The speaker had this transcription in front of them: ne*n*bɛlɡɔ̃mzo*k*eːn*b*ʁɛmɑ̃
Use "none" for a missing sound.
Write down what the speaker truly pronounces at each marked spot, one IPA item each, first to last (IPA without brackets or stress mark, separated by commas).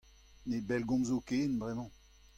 none, k, b